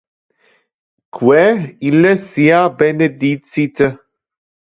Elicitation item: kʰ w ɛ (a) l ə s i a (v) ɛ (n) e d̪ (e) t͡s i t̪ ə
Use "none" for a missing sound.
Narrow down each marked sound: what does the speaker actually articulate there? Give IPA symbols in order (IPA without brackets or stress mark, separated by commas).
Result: i, b, n, i